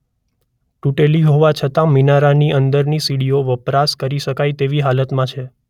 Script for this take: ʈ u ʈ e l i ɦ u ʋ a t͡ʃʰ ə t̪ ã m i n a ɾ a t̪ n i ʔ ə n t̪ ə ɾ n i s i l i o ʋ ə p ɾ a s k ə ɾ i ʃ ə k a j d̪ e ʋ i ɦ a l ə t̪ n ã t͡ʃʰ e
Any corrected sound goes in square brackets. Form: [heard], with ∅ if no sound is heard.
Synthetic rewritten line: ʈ u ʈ e l i ɦ [o] ʋ a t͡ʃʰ ə t̪ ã m i n a ɾ a [∅] n i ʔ ə n [d̪] ə ɾ n i s i [ɽ] i o ʋ ə p ɾ a s k ə ɾ i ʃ ə k a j [t̪] e ʋ i ɦ a l ə t̪ [m] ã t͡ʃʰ e